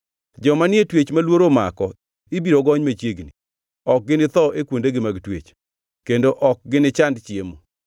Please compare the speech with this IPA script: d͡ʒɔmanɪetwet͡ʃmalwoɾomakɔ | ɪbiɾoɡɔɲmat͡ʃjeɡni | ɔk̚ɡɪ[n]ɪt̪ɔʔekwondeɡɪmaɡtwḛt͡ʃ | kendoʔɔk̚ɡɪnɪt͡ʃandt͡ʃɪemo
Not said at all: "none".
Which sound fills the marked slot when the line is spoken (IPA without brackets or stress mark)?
n